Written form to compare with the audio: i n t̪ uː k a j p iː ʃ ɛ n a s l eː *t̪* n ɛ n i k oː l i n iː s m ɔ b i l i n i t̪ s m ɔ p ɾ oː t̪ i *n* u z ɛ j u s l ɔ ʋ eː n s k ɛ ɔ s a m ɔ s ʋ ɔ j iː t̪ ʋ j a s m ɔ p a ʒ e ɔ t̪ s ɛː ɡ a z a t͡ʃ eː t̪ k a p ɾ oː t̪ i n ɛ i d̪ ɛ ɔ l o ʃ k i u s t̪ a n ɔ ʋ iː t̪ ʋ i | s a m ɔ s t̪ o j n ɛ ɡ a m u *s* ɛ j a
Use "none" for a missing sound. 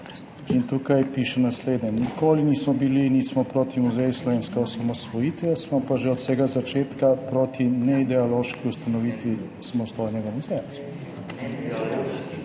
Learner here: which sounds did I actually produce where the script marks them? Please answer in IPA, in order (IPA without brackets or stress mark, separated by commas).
d̪, m, z